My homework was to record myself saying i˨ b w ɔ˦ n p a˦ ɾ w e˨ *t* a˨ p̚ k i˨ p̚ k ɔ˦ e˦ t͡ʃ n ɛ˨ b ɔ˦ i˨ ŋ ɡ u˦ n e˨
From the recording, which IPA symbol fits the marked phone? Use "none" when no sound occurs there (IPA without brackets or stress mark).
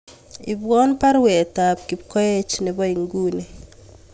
t